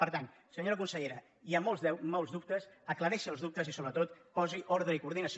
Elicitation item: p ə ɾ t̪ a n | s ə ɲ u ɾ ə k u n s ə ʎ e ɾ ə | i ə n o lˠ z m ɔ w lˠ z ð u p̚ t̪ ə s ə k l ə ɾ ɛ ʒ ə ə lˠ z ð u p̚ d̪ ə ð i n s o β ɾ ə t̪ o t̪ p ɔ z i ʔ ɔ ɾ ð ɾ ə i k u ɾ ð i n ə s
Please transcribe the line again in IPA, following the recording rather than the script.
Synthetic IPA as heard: p ə ɾ t̪ a n | s ə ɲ o ɾ ə k u n s ə ʎ e ɾ ə | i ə m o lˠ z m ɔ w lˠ z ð u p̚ t̪ ə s ə k l ə ɾ ɛ ʃ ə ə lˠ z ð u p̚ t̪ ə z i s o β ɾ ə t̪ o t̪ p ɔ z i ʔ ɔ ɾ ð ɾ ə i k u ɾ ð i n ə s